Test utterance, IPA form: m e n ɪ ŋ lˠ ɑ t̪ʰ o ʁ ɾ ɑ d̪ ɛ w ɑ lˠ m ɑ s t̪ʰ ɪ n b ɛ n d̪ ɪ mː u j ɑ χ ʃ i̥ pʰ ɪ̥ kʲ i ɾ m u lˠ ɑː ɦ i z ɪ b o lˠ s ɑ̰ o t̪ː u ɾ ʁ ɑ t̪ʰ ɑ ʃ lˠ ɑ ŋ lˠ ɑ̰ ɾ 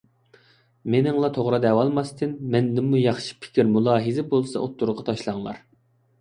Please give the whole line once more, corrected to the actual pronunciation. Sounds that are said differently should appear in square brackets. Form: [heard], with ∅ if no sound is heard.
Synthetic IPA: m e n ɪ ŋ lˠ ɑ t̪ʰ o ʁ ɾ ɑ d̪ ɛ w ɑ lˠ m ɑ s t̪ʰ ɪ n [m] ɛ n d̪ ɪ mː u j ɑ χ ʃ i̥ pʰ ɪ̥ kʲ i ɾ m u lˠ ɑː ɦ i z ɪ b o lˠ s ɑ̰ o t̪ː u ɾ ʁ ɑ t̪ʰ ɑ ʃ lˠ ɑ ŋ lˠ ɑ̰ ɾ